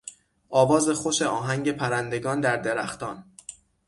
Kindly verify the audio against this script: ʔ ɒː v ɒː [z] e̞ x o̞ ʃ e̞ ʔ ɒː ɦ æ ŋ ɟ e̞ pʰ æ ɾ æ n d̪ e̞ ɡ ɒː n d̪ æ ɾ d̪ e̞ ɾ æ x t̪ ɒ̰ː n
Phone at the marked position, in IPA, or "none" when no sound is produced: z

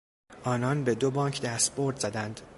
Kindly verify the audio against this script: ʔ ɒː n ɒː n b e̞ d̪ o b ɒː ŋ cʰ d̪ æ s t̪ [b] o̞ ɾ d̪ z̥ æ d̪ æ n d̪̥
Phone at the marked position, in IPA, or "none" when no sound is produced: b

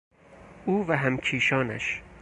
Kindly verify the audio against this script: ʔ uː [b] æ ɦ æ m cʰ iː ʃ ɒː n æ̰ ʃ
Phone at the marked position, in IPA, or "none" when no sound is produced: v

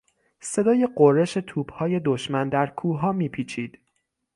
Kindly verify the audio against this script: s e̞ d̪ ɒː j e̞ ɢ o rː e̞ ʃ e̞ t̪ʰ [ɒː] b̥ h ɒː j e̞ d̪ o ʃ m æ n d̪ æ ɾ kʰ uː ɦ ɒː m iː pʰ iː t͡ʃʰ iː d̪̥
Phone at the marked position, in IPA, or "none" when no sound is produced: uː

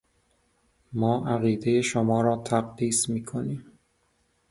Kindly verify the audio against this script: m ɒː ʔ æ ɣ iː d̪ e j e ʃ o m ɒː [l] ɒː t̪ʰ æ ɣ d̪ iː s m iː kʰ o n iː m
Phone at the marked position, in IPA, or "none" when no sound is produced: ɾ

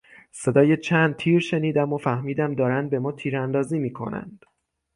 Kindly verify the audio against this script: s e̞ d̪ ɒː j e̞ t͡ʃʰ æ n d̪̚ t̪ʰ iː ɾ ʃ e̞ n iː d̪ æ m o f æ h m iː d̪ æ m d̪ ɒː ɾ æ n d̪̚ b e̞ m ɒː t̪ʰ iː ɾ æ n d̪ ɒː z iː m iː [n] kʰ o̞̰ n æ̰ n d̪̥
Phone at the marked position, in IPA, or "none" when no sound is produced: none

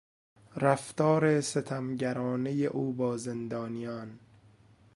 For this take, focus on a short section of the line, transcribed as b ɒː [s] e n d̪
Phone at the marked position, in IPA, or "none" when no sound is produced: z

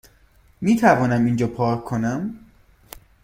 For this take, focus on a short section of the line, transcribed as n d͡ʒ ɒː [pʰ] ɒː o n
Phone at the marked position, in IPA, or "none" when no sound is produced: pʰ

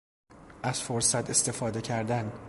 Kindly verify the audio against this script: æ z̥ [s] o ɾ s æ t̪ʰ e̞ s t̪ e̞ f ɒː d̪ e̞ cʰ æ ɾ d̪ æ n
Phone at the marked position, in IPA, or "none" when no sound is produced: f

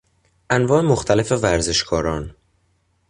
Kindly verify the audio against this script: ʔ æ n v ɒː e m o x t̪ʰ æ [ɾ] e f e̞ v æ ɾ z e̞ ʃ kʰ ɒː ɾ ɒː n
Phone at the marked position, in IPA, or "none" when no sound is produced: l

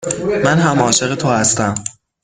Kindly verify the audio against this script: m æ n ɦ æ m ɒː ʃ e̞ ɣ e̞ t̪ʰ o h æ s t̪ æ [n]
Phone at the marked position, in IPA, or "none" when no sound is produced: m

